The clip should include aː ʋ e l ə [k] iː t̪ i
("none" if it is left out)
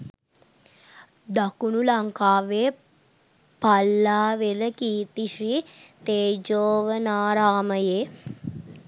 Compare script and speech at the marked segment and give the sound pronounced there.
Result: k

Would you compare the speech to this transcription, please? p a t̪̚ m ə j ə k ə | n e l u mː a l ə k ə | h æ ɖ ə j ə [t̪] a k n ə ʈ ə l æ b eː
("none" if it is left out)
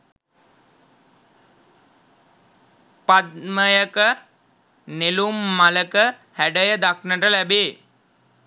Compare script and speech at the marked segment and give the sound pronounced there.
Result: d̪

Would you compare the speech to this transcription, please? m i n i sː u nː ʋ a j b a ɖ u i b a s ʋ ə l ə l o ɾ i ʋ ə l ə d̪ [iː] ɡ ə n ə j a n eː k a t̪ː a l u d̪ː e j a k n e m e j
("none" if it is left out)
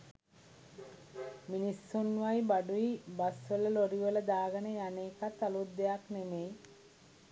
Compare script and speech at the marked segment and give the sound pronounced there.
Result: aː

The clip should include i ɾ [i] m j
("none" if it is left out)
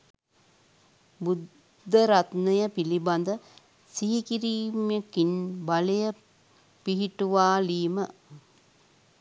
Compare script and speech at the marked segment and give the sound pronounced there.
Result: iː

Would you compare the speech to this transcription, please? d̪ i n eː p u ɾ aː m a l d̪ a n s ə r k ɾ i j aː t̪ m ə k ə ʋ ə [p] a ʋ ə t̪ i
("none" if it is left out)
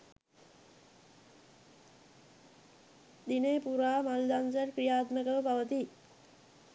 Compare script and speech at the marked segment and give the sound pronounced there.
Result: p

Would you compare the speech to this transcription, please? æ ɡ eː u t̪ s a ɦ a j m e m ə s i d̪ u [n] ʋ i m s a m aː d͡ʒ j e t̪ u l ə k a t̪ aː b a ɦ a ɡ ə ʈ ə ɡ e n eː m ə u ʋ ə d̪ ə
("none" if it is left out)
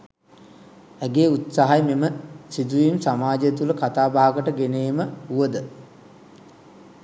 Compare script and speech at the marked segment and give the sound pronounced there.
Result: none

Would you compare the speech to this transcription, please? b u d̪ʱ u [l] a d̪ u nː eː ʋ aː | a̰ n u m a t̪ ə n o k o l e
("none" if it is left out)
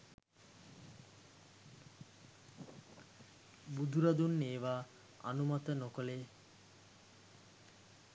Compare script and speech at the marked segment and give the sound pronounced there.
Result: ɾ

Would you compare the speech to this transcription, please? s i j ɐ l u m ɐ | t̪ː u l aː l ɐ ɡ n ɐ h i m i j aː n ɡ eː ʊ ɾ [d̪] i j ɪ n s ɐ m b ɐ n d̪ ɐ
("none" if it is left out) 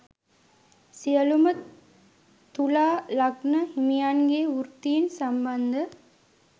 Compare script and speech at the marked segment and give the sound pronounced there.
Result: t̪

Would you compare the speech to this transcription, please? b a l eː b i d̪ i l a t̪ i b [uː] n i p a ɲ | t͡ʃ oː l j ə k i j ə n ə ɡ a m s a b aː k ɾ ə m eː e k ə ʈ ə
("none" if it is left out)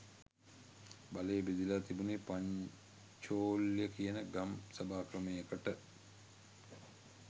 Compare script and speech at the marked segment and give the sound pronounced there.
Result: u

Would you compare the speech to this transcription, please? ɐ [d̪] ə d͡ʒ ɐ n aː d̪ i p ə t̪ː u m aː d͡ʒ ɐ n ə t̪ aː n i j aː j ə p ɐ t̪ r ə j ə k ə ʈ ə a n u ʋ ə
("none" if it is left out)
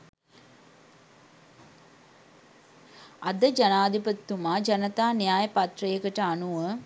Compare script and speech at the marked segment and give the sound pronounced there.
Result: d̪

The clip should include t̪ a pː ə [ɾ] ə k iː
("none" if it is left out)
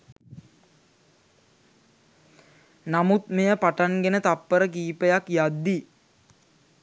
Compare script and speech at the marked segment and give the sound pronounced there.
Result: ɾ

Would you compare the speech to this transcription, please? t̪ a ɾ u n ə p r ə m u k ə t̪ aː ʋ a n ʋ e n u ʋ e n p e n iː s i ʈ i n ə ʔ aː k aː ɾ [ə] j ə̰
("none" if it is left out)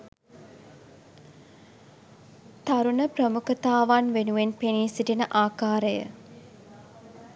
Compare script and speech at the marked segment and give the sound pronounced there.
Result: ə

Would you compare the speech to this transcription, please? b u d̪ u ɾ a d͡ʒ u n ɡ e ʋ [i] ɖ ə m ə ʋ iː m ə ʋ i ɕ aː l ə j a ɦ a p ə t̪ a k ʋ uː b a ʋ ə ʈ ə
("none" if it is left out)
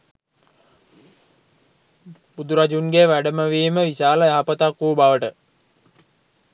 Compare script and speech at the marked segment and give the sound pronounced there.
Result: æ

